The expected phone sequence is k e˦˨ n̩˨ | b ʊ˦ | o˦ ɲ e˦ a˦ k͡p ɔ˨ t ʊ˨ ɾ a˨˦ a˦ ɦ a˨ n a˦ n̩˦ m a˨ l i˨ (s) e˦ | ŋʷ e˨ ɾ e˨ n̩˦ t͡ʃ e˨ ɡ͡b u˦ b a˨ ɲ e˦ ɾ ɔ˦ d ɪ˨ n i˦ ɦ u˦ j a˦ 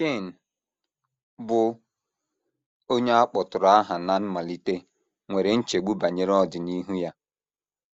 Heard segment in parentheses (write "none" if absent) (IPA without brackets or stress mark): t